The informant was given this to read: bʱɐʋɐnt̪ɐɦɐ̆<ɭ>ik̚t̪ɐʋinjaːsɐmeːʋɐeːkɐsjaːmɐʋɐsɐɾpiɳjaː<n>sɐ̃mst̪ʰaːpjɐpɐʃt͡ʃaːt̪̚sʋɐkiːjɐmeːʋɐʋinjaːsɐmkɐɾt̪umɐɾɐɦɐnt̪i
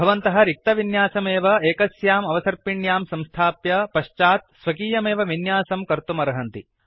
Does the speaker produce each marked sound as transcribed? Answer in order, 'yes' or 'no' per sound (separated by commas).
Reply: no, no